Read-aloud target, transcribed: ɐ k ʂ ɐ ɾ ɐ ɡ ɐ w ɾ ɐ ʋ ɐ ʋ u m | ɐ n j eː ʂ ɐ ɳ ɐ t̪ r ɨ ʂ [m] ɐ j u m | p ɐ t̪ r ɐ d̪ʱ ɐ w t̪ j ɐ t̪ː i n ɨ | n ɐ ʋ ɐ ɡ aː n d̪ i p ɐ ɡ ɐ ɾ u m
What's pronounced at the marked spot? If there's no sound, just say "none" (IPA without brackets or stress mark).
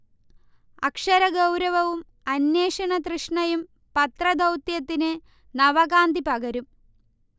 ɳ